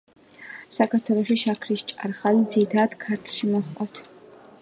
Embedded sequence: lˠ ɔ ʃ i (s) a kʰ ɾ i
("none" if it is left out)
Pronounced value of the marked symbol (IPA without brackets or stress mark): ʃ